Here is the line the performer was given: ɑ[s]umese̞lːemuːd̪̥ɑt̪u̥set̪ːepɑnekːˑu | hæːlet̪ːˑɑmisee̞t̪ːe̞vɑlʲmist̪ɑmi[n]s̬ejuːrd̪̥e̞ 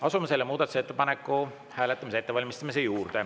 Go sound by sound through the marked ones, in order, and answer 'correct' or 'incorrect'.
correct, incorrect

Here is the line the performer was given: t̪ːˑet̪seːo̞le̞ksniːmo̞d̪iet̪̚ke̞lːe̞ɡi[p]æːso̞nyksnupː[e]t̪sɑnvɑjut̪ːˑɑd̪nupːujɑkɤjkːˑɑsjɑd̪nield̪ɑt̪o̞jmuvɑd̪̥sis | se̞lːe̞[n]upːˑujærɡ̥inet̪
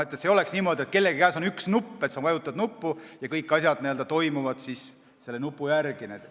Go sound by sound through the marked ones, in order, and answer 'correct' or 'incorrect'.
incorrect, correct, correct

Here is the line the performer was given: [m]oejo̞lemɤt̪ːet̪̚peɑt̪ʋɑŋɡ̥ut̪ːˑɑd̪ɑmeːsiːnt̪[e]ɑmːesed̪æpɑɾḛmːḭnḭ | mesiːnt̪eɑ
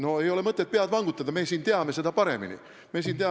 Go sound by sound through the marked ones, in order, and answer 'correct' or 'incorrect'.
incorrect, correct

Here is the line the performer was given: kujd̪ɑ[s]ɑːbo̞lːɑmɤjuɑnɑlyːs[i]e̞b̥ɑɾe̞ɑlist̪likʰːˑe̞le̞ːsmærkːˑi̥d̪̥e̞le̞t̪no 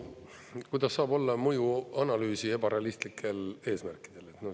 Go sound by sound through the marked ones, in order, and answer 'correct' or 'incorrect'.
incorrect, correct

